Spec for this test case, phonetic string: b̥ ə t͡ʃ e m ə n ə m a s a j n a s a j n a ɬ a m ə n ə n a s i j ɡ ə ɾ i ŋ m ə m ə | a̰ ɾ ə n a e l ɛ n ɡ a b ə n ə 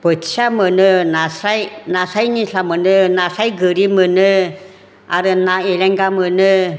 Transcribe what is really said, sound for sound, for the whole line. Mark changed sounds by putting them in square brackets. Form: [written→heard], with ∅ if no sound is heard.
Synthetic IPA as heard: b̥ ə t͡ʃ [e→a] m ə n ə [m→n] a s a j n a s a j n [a→i] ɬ a m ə n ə n a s [i→a] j ɡ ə ɾ i [ŋ→∅] m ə [m→n] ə | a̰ ɾ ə n a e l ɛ [n→ŋ] ɡ a [b→m] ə n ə